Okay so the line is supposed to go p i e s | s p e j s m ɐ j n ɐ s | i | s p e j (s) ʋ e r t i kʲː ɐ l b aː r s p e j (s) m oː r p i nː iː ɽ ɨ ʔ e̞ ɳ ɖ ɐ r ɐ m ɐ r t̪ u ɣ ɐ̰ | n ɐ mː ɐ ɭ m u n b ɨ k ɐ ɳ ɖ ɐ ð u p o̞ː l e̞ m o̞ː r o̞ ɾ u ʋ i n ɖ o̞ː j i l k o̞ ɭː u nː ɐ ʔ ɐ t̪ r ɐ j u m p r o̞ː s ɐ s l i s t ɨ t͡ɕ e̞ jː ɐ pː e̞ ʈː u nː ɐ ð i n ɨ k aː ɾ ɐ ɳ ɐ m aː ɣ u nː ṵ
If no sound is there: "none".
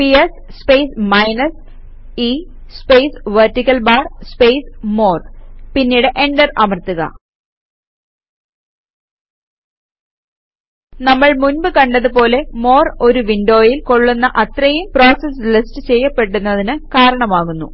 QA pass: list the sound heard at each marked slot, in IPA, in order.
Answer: s, s

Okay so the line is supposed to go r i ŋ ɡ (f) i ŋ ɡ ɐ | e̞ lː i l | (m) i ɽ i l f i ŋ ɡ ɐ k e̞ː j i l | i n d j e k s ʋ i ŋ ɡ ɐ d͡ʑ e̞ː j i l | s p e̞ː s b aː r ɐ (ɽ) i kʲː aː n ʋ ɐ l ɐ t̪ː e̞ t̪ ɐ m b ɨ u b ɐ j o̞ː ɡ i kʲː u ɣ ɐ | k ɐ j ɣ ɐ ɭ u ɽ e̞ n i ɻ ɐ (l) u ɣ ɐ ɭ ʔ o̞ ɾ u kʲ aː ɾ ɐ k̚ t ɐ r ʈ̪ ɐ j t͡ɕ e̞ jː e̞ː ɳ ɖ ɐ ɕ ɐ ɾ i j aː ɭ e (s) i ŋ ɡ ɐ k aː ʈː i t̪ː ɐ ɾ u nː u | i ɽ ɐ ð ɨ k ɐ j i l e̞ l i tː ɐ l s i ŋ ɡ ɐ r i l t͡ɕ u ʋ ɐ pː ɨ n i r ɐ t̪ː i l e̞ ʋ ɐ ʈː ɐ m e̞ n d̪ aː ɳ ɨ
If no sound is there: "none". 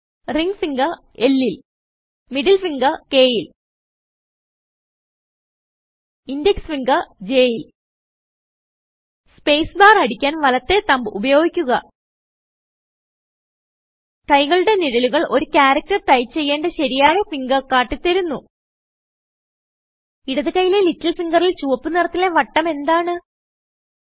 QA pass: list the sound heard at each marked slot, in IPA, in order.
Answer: f, m, ɽ, l, f

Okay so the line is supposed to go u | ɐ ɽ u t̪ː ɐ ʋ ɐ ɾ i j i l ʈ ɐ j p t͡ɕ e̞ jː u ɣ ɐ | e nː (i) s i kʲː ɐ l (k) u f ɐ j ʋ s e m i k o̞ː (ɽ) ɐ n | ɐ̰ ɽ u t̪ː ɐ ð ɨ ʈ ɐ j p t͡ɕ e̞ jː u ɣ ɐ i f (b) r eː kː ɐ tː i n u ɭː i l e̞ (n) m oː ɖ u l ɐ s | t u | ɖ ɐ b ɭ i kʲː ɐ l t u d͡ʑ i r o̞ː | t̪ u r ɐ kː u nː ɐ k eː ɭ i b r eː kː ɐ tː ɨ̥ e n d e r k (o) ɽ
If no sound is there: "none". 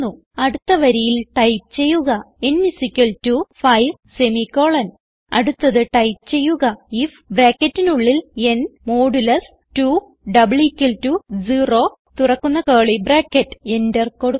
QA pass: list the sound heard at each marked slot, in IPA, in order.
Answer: i, t, ɭ, b, n, o

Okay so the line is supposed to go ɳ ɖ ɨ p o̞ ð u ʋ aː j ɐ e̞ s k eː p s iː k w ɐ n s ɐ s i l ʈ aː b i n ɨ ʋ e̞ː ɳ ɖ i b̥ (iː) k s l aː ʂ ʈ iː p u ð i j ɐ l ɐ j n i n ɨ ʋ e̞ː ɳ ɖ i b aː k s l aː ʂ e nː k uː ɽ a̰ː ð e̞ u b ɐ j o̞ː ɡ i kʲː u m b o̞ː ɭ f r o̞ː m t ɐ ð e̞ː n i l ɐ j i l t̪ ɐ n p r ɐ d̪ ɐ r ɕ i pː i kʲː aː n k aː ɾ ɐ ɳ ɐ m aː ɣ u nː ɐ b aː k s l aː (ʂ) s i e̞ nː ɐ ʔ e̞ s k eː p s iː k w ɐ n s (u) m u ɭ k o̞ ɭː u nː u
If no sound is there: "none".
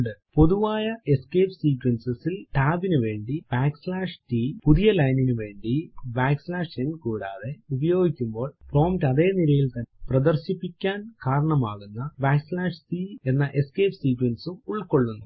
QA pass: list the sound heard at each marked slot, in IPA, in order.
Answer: aː, ʂ, u

